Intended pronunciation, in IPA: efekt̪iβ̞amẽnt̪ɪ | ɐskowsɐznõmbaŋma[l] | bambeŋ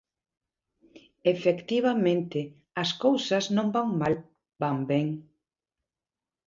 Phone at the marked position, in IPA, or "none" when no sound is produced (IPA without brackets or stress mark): l